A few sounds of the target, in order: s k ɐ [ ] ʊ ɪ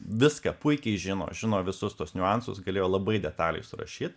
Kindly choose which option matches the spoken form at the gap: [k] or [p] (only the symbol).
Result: p